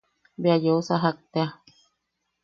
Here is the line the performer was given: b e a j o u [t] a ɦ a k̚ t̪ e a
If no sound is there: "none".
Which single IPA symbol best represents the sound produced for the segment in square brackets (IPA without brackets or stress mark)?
s